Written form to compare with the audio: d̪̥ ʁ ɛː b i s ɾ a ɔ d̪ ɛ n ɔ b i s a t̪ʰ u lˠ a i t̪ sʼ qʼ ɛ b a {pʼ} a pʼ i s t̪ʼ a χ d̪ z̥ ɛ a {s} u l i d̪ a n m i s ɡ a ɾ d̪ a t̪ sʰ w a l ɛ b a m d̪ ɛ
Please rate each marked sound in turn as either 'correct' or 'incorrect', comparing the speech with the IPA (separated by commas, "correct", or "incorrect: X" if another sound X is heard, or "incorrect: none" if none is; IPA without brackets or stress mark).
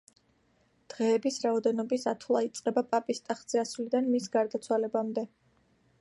correct, correct